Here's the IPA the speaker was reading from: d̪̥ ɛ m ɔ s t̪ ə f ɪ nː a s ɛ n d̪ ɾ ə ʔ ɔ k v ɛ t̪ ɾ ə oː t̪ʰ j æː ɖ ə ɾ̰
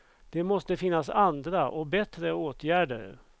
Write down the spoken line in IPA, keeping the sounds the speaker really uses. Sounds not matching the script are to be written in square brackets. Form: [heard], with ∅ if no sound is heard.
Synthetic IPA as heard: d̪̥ ɛ m ɔ s t̪ ə f ɪ nː a s [a] n d̪ ɾ [a] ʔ ɔ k [b] ɛ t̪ ɾ ə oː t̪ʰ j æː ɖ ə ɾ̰